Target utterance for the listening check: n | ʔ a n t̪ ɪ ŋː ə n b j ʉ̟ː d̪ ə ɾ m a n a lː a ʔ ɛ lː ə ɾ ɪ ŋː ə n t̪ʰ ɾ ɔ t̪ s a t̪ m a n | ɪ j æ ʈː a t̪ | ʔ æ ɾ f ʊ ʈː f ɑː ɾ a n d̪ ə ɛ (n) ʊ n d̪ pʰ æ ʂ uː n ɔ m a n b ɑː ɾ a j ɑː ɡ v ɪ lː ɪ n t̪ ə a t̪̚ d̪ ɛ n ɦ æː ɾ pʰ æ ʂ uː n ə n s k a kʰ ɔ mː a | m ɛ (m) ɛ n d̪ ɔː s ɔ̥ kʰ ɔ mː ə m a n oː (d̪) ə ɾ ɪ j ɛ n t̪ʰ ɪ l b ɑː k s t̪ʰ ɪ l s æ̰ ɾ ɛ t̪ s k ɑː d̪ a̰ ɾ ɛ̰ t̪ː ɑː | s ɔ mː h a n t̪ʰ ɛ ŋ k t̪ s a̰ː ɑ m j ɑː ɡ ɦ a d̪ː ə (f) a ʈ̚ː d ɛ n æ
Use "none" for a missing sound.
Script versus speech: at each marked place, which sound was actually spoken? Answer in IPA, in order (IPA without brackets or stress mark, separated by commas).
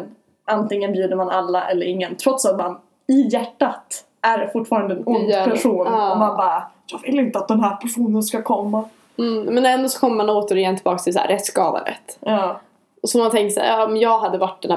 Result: n, n, t̪, v